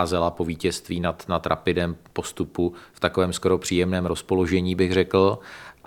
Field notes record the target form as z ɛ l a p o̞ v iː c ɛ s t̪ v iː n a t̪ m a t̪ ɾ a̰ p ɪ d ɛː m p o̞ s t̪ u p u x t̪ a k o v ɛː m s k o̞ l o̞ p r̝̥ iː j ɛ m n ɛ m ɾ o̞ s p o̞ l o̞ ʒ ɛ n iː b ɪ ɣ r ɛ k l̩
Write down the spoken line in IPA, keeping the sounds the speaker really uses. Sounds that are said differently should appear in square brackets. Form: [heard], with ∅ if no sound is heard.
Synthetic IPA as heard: z ɛ l a p o̞ v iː c ɛ s t̪ v iː n a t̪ [n] a t̪ ɾ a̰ p ɪ d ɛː m p o̞ s t̪ u p u [f] t̪ a k o v ɛː m s k o̞ [ɾ] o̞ p r̝̥ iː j ɛ m n [ɛː] m ɾ o̞ s p o̞ l o̞ ʒ ɛ [ɲ] iː b ɪ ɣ r ɛ k l̩